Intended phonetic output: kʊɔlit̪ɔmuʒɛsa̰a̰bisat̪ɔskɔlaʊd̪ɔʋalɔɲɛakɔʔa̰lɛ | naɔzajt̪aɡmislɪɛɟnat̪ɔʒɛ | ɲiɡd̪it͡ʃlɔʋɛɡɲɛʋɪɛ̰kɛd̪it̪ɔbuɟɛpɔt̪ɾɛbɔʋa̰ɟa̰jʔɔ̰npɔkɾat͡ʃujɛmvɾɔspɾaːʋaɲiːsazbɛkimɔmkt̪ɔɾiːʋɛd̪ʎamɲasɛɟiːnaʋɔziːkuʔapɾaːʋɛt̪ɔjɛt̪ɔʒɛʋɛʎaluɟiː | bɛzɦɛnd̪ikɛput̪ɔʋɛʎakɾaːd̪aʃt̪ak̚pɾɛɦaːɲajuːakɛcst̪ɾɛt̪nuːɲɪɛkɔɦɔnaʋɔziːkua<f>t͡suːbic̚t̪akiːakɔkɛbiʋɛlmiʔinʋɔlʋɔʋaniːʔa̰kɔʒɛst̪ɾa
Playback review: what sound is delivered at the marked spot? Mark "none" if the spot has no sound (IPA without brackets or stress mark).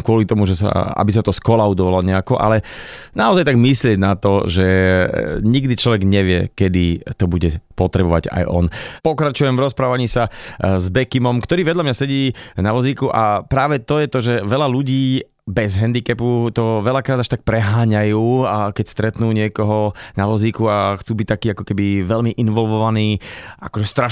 x